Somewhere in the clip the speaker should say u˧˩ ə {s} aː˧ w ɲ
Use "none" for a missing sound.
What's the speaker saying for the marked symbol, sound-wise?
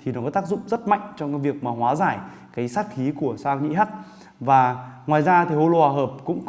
s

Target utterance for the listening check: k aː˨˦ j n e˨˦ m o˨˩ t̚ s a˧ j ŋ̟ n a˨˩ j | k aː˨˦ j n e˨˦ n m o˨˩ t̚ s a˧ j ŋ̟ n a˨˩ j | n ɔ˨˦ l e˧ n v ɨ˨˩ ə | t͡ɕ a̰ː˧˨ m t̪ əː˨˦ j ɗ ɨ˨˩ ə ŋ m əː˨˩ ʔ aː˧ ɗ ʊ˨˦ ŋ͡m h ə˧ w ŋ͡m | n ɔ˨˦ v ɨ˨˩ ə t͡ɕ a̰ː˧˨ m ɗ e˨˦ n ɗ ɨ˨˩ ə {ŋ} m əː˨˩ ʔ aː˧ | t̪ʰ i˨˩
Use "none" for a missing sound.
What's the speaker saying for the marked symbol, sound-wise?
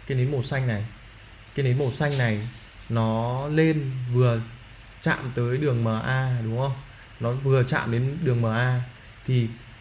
ŋ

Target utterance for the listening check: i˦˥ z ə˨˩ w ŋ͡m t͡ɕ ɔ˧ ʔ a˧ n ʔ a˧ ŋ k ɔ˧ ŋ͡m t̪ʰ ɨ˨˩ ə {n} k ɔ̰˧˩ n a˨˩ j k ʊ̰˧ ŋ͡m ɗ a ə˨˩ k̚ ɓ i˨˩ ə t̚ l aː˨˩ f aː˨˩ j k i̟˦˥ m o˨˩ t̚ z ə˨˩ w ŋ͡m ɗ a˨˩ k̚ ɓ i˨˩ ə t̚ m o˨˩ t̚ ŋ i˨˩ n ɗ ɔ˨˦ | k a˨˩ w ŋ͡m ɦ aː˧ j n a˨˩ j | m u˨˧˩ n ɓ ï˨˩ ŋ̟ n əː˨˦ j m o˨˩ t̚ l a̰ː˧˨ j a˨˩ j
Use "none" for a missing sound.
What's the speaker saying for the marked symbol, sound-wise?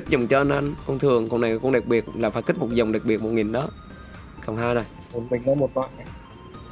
ŋ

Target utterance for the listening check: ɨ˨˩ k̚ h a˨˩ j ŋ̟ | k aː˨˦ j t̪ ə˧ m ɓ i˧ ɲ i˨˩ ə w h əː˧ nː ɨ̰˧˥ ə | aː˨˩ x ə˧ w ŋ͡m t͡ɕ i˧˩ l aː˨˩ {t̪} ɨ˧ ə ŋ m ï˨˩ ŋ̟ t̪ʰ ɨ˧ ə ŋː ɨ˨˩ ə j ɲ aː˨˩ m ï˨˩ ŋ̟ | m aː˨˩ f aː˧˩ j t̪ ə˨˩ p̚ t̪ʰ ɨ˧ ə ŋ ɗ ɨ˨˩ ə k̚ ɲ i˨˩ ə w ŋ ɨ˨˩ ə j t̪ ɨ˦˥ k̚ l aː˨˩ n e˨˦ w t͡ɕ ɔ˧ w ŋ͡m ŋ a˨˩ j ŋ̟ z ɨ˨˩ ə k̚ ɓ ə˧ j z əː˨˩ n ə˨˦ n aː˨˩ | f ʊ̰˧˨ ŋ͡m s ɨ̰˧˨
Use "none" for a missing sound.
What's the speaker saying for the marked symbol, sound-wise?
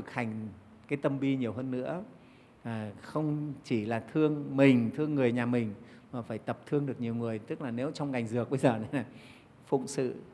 t̪ʰ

